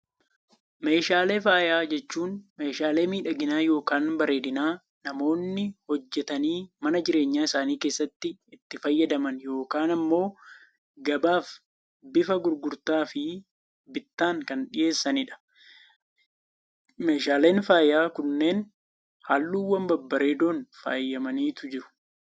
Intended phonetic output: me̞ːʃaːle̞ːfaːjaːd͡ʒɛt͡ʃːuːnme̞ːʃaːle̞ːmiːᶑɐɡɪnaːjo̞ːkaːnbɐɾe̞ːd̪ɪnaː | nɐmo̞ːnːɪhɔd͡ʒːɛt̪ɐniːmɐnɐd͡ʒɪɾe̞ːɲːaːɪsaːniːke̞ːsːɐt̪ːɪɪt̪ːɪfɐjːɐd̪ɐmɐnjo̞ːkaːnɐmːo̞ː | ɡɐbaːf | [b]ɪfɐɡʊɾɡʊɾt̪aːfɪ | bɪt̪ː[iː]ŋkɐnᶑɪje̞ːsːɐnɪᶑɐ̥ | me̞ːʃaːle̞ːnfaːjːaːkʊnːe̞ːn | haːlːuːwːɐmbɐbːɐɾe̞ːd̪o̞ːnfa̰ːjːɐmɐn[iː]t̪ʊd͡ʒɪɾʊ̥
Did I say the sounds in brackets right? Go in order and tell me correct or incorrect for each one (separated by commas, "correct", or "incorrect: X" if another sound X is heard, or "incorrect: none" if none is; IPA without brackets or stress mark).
correct, incorrect: aː, correct